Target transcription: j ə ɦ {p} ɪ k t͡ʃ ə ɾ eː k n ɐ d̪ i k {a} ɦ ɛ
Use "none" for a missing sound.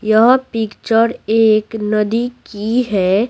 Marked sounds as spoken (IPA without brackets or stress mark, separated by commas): p, i